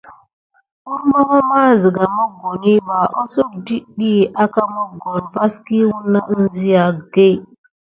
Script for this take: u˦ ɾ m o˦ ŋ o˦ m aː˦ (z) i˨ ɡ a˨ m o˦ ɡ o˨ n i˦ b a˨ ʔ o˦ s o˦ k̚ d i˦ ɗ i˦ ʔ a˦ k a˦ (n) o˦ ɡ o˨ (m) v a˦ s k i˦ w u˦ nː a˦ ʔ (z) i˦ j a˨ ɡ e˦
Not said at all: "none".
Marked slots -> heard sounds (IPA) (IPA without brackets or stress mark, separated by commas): z, m, n, z